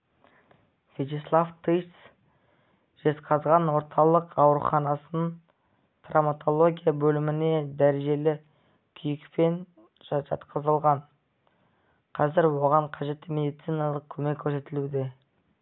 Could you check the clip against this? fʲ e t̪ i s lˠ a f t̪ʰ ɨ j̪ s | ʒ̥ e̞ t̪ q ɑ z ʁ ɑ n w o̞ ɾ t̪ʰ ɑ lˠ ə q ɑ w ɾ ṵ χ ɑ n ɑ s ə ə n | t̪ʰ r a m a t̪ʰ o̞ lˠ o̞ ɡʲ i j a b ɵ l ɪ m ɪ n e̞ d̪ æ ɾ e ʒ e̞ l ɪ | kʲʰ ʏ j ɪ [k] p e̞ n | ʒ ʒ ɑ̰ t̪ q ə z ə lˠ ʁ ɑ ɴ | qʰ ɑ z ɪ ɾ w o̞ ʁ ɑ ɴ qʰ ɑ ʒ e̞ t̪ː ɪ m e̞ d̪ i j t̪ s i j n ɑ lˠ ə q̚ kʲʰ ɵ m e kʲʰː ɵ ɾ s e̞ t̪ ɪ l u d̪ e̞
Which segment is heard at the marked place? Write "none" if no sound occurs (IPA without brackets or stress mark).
k